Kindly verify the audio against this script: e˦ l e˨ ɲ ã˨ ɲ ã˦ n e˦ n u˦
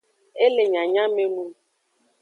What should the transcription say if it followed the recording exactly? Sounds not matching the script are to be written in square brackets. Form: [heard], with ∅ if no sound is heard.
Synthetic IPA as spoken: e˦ l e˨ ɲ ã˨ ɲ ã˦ [m] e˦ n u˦